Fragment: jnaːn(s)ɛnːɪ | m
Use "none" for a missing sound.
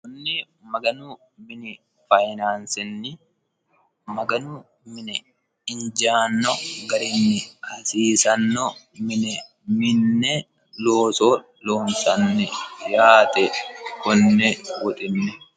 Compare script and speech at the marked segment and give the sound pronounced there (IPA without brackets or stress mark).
s